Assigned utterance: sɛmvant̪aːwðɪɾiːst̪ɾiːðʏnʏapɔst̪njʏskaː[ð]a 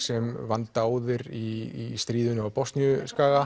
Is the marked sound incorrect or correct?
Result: incorrect